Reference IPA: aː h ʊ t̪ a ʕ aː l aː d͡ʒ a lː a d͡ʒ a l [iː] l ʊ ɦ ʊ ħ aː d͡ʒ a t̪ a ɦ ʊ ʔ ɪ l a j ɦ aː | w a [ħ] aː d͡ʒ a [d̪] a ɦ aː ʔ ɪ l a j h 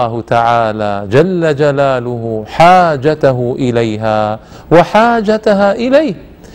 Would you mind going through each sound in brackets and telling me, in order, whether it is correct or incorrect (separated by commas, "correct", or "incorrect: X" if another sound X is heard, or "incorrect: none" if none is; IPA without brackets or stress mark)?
incorrect: aː, correct, incorrect: t̪